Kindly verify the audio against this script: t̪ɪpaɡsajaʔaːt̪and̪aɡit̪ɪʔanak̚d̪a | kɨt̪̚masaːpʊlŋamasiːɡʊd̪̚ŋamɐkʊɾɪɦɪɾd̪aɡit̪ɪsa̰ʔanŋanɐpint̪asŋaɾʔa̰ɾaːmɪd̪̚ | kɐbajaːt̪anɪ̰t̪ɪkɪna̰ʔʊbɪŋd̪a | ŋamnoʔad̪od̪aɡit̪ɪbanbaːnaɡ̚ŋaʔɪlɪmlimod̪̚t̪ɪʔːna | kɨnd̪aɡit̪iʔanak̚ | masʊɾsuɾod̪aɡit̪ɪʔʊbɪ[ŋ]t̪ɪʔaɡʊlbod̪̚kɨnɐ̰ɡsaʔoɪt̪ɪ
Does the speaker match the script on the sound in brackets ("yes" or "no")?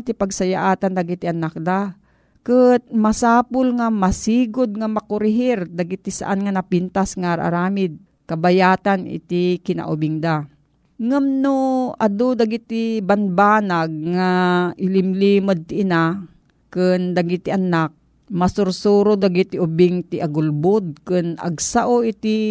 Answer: yes